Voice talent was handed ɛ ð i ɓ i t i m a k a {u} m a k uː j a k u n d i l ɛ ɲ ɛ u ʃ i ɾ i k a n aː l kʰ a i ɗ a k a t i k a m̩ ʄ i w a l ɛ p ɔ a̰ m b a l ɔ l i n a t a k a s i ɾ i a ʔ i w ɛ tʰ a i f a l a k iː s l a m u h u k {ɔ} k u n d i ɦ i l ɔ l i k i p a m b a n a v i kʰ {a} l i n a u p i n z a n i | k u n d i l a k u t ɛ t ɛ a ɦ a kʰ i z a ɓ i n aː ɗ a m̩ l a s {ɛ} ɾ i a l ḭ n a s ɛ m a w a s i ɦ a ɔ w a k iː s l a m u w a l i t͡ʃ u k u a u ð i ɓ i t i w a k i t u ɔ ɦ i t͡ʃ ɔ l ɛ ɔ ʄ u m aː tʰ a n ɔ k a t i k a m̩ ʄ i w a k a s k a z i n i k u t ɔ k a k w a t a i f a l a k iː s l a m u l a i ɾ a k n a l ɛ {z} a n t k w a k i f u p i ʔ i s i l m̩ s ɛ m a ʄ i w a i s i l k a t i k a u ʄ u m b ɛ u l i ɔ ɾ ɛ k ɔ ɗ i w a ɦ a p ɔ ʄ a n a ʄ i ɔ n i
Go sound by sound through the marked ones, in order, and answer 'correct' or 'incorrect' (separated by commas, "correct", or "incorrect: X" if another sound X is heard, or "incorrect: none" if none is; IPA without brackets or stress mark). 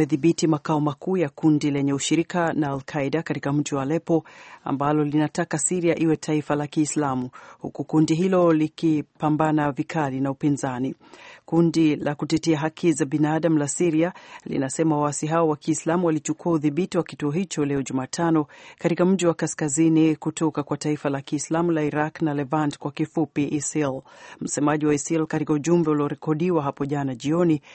incorrect: ɔ, incorrect: u, correct, incorrect: i, incorrect: v